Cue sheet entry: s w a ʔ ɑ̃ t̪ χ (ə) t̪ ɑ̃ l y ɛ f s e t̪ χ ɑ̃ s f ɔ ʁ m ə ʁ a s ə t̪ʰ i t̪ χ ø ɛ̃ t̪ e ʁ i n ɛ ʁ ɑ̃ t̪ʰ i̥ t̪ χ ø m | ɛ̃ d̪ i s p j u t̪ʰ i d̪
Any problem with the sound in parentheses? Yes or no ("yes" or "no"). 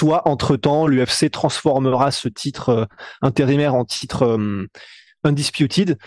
no